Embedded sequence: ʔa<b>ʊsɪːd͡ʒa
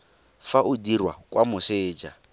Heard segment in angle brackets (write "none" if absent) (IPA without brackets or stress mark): m